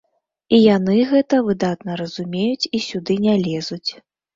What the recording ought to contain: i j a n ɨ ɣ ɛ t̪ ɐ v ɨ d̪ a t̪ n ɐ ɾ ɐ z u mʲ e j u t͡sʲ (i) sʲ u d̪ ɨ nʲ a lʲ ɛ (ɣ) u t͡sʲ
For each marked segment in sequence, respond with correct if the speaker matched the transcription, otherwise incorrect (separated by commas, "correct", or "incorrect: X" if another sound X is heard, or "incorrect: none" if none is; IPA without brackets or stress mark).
correct, incorrect: z